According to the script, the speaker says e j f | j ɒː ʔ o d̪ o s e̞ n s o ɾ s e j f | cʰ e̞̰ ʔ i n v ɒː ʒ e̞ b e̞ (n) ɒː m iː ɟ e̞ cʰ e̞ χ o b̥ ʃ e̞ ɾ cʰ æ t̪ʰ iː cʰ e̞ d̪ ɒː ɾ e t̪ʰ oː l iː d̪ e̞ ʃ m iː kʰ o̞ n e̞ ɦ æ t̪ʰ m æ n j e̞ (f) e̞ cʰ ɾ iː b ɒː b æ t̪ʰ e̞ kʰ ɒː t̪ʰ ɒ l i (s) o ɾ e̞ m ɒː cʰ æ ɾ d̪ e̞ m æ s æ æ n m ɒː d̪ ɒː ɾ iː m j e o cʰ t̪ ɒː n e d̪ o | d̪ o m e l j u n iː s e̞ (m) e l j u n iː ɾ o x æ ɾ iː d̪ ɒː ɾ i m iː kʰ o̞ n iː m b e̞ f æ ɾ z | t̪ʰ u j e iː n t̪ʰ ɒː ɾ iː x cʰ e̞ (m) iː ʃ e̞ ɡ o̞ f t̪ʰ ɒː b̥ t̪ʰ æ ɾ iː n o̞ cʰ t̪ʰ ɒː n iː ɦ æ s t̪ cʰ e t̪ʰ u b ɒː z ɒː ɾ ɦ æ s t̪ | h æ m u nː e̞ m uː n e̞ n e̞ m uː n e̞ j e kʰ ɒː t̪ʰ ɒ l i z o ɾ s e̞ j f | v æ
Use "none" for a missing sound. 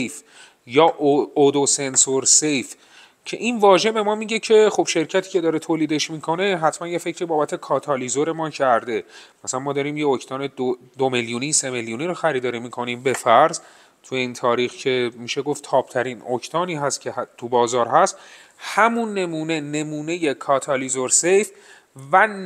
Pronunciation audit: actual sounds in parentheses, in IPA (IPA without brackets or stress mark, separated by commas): m, f, z, m, m